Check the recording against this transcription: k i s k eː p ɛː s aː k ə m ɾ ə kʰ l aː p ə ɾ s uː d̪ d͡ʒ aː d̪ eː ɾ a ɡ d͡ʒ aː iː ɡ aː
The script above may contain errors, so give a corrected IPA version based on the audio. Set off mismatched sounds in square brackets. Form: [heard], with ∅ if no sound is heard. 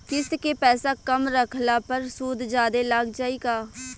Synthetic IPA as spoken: k [ɪ] s k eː p ɛː s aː k ə m ɾ ə kʰ l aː p ə ɾ s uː d̪ d͡ʒ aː d̪ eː [l] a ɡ d͡ʒ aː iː ɡ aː